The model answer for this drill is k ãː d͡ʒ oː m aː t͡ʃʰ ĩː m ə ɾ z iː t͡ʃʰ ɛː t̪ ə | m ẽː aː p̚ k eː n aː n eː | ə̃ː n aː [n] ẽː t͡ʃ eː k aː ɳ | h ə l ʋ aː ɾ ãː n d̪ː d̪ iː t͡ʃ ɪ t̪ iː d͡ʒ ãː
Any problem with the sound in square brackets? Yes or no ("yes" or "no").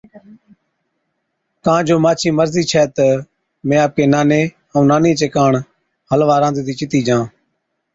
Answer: no